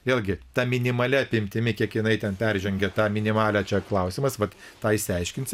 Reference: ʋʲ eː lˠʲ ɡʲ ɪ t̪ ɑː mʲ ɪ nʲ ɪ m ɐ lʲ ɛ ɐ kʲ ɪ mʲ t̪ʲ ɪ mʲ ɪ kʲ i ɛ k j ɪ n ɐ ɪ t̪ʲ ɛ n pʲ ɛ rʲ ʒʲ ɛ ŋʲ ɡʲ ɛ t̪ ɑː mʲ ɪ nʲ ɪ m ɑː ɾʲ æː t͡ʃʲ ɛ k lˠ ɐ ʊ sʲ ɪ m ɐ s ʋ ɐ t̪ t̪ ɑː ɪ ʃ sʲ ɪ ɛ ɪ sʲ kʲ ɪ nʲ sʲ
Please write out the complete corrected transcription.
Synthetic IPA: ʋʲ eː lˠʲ ɡʲ ɪ t̪ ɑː mʲ ɪ nʲ ɪ m ɐ lʲ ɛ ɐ pʲ ɪ mʲ t̪ʲ ɪ mʲ ɪ kʲ i ɛ k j ɪ n ɐ ɪ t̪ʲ ɛ n pʲ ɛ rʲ ʒʲ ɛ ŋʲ ɡʲ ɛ t̪ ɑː mʲ ɪ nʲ ɪ m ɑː lʲ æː t͡ʃʲ ɛ k lˠ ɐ ʊ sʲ ɪ m ɐ s ʋ ɐ t̪ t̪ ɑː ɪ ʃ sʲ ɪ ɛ ɪ ʃʲ kʲ ɪ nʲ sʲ